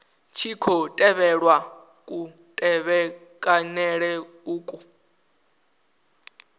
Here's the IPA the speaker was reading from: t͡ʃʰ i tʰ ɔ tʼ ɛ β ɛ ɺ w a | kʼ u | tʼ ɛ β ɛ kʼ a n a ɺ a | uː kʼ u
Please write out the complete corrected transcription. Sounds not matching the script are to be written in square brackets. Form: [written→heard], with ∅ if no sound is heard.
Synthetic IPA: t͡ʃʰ i [tʰ→kʰ] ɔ tʼ ɛ β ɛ ɺ w a | kʼ u | tʼ ɛ β ɛ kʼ a n [a→ɛ] ɺ [a→ɛ] | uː kʼ u